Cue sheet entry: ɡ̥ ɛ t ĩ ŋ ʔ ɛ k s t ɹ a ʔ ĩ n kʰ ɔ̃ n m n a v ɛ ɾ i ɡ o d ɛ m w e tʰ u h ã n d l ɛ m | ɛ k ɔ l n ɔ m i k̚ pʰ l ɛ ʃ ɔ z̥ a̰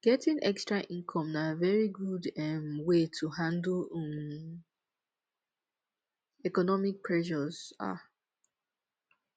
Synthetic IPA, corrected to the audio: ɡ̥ ɛ t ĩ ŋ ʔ ɛ k s t ɹ a ʔ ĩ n kʰ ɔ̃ m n a v ɛ ɹ i ɡ u d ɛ m w e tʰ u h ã n d l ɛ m | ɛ k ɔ n ɔ m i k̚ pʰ ɹ ɛ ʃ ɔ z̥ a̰